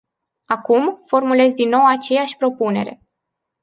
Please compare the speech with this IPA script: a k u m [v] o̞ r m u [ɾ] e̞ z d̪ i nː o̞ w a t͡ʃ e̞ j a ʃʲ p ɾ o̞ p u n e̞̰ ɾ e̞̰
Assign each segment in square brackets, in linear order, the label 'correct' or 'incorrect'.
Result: incorrect: f, incorrect: l

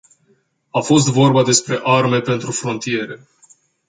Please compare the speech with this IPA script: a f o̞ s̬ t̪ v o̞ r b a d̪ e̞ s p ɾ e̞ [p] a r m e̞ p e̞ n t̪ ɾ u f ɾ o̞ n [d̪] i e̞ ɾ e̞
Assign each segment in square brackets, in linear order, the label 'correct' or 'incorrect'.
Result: incorrect: ʔ, incorrect: t̪

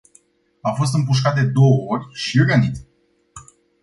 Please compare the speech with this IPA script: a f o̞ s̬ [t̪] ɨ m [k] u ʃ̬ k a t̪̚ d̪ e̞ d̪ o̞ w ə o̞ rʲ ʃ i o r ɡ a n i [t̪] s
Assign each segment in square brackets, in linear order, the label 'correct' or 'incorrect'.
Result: correct, incorrect: p, correct

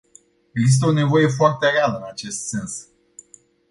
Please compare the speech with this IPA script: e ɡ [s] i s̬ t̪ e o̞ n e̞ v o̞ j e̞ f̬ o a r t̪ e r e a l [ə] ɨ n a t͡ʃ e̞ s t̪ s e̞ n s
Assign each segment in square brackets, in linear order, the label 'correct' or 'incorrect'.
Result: incorrect: z, correct

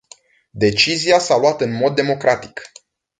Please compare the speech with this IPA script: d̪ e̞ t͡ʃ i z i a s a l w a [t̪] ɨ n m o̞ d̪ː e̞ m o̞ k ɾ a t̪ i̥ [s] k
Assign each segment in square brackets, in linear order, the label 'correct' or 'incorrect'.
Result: correct, incorrect: none

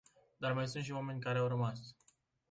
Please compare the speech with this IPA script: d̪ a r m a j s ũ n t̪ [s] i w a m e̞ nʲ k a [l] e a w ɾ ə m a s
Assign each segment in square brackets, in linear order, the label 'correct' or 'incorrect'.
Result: incorrect: ʃ, incorrect: ɾ

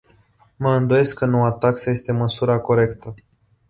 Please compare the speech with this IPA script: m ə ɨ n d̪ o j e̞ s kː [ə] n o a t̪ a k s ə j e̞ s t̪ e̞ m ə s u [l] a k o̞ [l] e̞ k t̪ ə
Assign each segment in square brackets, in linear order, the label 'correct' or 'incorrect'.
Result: correct, incorrect: ɾ, incorrect: ɾ

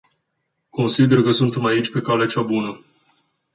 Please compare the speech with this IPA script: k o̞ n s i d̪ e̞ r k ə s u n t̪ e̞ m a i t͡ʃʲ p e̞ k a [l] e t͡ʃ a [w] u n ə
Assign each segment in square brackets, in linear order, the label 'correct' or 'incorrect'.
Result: correct, incorrect: b

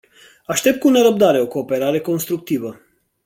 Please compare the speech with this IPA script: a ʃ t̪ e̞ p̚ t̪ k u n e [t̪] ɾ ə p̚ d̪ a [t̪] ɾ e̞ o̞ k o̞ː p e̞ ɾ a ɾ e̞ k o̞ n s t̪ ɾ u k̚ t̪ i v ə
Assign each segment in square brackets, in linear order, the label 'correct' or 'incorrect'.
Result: incorrect: none, incorrect: none

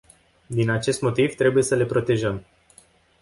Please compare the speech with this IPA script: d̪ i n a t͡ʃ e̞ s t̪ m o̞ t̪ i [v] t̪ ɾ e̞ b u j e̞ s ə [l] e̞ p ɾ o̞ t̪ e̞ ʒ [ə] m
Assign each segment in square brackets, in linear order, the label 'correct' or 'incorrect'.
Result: correct, correct, correct

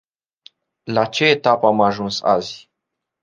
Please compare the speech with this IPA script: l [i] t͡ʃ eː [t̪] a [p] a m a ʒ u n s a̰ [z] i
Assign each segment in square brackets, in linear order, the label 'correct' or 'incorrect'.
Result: incorrect: a, correct, correct, correct

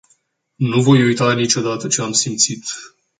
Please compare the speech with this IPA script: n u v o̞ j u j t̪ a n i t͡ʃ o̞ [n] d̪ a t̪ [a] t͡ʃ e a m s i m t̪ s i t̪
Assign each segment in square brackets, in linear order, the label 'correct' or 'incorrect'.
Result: incorrect: none, incorrect: ə

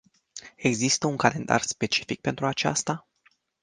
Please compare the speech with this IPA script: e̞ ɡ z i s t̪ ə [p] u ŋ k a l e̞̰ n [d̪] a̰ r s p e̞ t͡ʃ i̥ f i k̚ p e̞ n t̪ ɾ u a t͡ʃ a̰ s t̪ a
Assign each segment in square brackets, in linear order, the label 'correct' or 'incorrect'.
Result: incorrect: none, correct

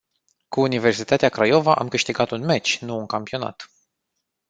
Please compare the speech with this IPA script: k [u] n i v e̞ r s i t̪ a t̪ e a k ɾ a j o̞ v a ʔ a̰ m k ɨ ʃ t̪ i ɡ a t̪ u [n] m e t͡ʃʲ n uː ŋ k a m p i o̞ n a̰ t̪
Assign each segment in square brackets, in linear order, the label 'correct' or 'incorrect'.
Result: incorrect: uː, correct

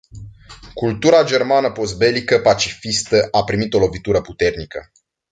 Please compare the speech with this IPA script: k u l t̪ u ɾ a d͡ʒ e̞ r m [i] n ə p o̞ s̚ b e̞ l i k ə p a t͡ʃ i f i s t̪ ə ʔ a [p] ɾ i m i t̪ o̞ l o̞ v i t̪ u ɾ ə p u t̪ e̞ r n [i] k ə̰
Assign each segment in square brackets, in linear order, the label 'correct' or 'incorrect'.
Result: incorrect: a, correct, correct

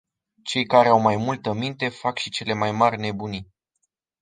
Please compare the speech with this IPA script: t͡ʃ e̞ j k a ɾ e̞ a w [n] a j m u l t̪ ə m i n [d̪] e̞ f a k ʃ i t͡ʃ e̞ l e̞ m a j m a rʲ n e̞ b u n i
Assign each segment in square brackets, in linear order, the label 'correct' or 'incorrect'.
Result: incorrect: m, incorrect: t̪

